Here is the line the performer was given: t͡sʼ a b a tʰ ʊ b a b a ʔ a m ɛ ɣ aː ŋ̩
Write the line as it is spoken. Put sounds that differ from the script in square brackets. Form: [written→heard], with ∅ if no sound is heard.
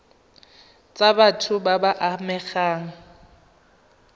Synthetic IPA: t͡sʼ a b a tʰ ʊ b a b a ʔ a m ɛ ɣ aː ŋ̩

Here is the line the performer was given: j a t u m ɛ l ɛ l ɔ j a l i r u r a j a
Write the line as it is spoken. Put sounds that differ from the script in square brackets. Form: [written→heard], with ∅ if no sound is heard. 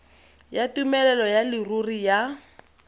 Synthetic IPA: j a t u m ɛ l ɛ l ɔ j a l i r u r [a→i] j a

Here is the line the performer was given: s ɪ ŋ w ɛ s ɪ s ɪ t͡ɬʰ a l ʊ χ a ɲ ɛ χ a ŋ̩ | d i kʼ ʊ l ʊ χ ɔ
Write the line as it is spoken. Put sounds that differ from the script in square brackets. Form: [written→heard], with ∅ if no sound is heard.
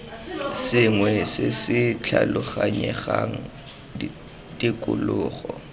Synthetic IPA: s ɪ ŋ w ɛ s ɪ s ɪ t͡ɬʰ a l ʊ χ a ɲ ɛ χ a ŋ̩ | d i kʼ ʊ l [ʊ→ʊː] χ ɔ

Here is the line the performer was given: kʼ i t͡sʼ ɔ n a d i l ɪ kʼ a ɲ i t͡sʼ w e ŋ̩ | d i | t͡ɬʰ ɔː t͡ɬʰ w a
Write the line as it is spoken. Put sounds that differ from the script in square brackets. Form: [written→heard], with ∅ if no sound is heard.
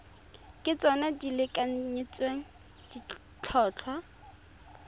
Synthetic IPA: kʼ [i→ɪ] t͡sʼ ɔ n a d i l ɪ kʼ a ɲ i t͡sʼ w e ŋ̩ | d i | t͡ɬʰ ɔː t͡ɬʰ w a

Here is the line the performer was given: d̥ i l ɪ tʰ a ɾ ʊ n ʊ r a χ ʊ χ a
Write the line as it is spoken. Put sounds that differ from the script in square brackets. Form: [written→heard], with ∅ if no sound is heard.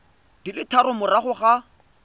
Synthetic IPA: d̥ i l ɪ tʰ a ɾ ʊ [n→m] ʊ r a χ ʊ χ a

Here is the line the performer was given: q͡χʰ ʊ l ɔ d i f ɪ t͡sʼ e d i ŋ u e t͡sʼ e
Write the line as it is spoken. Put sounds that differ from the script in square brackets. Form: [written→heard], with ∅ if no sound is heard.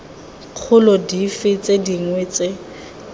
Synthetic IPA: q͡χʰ ʊ l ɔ d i f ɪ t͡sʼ e d i ŋ [u→w] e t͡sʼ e

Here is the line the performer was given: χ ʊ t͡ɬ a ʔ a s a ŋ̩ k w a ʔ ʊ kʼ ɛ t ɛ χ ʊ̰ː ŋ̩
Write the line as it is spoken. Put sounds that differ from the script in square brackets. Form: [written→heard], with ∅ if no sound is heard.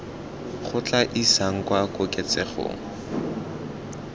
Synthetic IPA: χ ʊ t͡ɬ a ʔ [a→i] s a ŋ̩ k w a [ʔ→k] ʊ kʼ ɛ [t→t͡s] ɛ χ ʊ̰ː ŋ̩

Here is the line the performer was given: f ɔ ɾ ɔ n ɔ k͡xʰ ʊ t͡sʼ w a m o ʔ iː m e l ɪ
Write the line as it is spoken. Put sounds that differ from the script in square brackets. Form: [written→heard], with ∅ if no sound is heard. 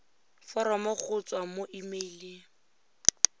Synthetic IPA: f ɔ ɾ ɔ [n→m] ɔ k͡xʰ ʊ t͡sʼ w a m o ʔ [iː→i] m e l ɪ

